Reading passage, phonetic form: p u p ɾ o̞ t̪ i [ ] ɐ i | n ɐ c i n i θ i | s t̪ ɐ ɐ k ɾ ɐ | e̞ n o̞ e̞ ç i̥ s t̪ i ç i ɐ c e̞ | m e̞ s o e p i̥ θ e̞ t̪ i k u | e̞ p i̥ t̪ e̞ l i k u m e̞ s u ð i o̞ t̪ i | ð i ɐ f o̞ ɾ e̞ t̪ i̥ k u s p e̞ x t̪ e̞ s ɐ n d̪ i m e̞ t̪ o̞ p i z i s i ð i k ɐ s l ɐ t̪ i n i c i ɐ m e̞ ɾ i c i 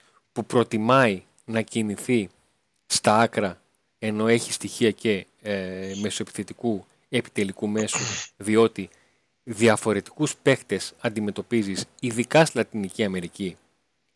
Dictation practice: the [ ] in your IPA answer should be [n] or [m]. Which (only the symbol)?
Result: m